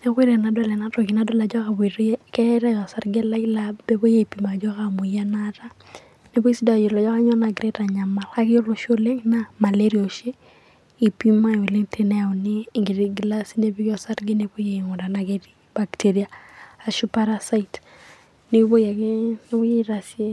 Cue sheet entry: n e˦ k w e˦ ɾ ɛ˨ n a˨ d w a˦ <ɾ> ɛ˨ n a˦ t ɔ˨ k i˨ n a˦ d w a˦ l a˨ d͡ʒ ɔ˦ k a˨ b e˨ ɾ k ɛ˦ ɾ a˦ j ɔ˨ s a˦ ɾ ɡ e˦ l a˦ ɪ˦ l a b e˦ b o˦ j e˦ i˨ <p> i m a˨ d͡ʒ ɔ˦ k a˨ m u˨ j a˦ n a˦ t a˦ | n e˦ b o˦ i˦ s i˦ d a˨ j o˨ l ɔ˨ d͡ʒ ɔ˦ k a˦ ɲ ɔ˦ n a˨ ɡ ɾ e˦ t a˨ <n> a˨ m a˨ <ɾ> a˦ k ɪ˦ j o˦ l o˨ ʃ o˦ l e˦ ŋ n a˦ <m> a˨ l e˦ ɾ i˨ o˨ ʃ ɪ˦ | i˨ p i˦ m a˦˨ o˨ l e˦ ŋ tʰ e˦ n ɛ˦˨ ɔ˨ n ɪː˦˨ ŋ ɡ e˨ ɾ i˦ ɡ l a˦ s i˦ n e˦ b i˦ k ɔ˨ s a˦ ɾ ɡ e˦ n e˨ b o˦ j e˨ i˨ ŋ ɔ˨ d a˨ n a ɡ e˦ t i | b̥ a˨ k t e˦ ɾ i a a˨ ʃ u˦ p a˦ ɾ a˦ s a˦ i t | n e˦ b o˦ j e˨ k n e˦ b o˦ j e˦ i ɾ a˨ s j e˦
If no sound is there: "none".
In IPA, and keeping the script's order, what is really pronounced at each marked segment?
l, p, ɲ, l, m

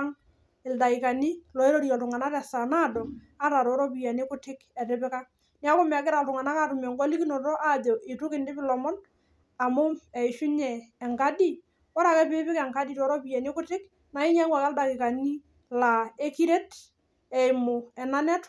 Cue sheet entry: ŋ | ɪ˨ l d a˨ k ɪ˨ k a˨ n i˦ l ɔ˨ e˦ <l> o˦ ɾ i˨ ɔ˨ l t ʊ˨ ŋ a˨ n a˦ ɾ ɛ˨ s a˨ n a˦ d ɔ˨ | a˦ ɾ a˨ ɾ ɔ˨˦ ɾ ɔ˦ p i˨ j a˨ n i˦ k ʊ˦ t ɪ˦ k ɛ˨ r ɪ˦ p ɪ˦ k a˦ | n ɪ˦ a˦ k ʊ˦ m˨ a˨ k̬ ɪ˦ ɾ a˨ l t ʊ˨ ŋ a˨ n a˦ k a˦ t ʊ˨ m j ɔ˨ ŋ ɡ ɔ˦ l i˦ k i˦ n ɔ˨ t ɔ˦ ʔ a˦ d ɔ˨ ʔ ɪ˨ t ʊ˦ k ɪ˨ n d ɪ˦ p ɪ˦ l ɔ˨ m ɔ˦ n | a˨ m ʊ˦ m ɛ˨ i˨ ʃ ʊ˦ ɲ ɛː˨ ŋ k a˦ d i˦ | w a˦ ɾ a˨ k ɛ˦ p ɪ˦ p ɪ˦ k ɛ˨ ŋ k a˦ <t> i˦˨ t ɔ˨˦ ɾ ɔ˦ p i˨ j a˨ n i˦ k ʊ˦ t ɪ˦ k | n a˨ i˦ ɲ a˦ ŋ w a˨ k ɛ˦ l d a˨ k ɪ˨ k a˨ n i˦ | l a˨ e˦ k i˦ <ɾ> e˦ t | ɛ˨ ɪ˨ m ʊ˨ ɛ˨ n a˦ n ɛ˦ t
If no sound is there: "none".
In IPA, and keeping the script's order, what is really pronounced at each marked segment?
ɾ, d, ɾ

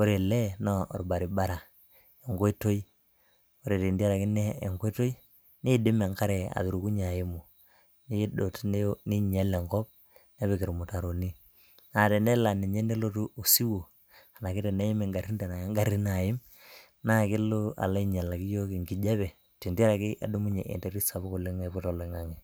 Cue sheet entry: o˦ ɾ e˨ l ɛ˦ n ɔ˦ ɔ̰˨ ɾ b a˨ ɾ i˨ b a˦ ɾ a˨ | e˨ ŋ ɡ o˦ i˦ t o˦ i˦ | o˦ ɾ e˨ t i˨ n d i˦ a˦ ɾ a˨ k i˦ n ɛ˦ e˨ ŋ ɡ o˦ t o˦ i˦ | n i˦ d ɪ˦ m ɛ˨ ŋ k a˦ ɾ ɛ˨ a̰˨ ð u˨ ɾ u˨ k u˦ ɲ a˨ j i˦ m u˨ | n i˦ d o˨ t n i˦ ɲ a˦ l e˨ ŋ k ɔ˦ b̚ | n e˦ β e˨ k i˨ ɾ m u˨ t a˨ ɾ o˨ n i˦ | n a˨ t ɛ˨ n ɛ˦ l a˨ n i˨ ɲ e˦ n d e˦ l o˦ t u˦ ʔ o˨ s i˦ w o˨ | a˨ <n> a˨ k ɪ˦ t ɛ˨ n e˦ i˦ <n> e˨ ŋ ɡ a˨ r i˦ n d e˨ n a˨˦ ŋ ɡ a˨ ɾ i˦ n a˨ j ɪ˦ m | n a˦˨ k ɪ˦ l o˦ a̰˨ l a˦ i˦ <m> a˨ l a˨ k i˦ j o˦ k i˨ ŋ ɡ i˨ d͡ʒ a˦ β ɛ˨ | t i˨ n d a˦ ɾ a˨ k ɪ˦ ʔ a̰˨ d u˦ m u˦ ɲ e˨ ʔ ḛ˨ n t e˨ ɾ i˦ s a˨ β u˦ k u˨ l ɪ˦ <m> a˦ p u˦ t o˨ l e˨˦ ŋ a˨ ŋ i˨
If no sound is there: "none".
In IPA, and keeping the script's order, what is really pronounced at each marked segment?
n, m, ɲ, ŋ

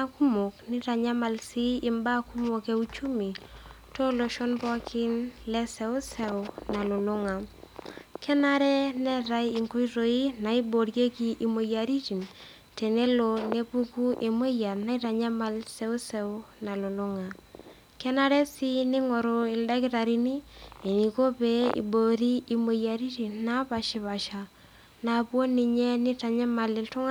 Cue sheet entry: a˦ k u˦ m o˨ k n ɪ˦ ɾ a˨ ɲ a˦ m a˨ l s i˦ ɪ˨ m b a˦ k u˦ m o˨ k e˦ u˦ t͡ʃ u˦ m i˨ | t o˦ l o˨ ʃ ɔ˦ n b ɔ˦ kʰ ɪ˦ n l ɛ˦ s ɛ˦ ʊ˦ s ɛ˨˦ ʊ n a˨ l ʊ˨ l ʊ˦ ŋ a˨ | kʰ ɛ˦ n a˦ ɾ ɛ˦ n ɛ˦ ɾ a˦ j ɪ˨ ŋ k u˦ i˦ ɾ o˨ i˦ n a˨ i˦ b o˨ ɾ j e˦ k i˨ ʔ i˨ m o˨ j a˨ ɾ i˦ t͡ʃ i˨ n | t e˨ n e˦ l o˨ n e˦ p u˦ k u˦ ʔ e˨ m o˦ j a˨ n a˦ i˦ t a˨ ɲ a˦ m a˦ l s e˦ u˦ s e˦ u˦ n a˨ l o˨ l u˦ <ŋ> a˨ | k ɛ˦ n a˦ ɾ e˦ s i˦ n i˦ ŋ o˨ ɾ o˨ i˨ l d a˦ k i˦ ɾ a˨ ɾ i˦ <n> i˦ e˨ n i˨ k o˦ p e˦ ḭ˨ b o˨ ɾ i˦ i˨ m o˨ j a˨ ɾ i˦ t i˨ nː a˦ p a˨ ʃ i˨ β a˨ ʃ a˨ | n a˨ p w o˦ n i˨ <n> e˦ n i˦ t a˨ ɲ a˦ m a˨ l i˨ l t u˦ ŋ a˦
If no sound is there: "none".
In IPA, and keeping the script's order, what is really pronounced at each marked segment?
ŋ, n, ɲ

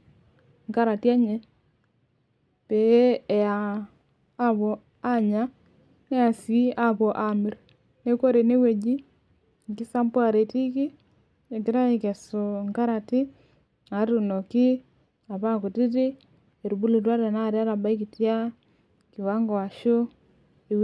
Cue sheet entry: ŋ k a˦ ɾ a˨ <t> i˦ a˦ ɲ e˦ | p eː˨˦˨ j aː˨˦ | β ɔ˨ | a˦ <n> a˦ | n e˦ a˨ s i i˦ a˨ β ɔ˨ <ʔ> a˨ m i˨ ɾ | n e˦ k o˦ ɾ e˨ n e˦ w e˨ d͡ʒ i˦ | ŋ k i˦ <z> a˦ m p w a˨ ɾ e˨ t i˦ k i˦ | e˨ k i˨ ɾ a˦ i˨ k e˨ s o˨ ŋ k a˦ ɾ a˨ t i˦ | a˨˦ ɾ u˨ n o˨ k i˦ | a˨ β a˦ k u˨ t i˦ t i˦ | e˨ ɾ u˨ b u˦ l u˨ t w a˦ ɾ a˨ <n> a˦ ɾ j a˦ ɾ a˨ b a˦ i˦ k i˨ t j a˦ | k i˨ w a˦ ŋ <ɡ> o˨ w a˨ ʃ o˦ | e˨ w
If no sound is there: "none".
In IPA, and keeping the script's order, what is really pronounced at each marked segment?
t, ɲ, ʔ, s, n, ɡ

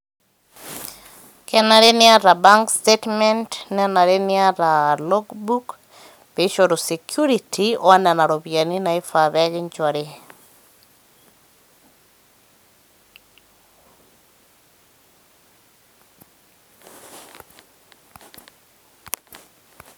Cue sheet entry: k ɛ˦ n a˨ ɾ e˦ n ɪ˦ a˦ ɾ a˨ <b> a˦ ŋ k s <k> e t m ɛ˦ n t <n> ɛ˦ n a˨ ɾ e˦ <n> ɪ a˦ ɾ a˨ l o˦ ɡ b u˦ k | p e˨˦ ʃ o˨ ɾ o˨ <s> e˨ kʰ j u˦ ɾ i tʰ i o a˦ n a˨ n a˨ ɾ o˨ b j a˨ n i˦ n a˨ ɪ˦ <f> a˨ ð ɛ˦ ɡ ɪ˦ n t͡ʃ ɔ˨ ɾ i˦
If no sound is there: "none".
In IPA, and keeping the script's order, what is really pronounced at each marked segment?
b, t, n, n, s, f

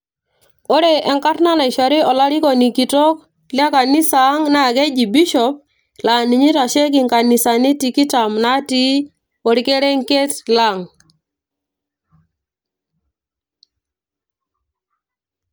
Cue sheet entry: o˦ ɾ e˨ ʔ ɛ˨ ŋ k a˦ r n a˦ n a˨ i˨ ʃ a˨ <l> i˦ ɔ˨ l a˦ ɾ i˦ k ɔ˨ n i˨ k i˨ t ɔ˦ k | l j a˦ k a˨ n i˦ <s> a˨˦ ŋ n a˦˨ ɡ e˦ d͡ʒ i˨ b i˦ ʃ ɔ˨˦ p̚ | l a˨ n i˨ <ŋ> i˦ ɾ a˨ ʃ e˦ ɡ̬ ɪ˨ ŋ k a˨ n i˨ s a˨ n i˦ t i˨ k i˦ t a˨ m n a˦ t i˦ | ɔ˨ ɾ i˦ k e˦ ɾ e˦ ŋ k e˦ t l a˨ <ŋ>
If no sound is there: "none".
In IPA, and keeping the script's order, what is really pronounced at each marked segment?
ɾ, s, ɲ, ŋ

